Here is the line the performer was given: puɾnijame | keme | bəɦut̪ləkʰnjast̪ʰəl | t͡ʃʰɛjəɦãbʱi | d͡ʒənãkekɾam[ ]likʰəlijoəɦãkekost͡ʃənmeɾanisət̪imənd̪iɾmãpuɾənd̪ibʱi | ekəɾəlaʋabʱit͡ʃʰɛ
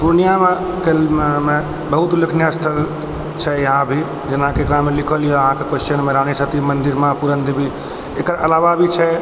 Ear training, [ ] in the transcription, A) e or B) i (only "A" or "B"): A